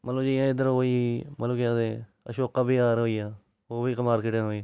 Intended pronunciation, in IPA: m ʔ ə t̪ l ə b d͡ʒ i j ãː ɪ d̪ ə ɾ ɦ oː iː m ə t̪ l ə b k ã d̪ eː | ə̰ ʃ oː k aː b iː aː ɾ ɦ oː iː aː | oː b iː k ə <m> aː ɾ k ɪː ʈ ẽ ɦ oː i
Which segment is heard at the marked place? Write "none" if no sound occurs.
m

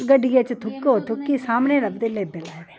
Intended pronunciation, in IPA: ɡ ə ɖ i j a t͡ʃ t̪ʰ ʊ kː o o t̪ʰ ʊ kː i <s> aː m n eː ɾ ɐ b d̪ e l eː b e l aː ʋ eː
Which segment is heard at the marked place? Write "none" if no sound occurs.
s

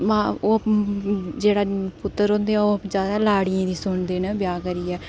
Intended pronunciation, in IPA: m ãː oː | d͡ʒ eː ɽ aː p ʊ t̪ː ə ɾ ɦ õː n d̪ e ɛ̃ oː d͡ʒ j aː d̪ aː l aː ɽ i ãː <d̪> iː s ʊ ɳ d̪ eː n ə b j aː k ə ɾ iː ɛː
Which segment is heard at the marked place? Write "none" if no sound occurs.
d̪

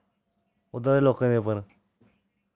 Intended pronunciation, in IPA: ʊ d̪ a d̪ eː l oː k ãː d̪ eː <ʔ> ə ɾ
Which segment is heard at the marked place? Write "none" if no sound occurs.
p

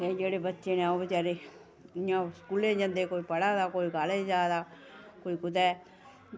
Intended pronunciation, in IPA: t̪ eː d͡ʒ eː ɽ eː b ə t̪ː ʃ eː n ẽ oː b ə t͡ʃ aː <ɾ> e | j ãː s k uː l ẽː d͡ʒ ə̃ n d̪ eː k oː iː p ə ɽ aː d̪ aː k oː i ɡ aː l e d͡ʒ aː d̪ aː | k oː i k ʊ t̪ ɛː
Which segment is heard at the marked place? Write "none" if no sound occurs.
ɾ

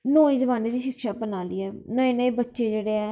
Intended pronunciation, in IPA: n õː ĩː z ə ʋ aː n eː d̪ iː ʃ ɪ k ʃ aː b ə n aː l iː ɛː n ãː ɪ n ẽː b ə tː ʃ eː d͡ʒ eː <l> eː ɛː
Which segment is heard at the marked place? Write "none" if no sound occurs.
ɽ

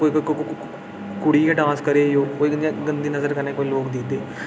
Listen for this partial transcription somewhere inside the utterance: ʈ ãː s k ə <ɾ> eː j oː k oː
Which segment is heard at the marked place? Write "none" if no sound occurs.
ɾ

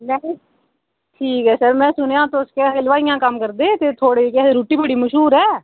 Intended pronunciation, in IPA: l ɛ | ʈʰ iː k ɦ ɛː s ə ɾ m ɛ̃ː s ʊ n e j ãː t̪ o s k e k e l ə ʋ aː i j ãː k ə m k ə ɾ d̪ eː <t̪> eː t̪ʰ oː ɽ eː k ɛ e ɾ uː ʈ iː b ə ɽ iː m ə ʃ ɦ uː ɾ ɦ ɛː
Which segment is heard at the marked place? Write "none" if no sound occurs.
t̪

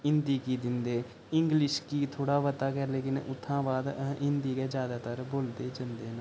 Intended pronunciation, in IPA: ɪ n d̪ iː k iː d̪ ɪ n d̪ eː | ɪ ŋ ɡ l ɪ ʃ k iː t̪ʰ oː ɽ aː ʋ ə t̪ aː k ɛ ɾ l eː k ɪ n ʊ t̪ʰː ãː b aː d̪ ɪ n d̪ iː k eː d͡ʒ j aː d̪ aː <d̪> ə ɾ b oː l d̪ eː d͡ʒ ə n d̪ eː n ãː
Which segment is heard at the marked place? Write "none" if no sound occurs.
t̪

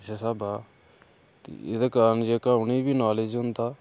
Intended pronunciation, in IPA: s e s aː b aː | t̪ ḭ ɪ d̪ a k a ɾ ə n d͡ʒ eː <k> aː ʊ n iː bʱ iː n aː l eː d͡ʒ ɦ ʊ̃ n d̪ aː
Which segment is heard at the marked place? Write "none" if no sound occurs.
k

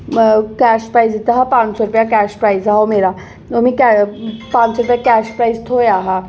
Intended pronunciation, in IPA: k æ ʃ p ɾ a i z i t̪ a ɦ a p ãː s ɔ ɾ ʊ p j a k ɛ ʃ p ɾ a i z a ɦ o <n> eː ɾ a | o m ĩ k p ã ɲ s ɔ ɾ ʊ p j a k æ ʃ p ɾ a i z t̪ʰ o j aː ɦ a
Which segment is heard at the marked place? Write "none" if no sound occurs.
m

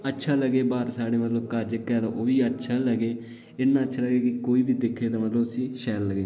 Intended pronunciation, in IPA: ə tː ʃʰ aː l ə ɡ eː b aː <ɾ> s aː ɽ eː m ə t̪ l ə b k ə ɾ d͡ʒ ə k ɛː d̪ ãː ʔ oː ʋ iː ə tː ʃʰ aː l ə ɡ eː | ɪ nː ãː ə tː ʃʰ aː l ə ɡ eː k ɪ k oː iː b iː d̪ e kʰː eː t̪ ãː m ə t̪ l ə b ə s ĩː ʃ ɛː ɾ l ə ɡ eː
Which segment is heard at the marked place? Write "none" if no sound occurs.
ɾ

